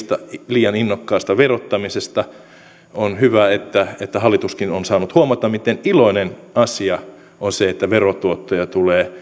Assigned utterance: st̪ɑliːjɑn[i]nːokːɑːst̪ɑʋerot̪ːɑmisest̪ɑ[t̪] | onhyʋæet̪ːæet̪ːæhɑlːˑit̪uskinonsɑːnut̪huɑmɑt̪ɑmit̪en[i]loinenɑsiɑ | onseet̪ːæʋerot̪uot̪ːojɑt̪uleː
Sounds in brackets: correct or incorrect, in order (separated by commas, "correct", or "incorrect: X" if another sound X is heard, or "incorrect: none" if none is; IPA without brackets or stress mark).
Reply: correct, incorrect: none, correct